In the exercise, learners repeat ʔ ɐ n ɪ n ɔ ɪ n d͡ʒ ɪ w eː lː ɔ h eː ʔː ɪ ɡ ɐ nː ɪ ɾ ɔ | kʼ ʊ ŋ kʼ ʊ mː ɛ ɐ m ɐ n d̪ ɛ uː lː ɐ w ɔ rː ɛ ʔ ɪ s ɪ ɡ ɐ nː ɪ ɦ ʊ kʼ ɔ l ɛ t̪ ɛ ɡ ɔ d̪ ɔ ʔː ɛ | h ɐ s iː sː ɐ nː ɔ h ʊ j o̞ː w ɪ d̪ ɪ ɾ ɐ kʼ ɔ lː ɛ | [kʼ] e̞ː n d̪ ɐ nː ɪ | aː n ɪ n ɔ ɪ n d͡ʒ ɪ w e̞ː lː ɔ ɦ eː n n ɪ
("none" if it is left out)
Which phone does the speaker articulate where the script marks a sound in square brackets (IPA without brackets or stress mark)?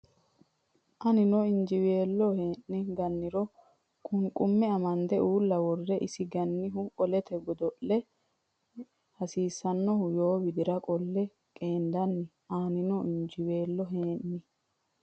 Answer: kʼ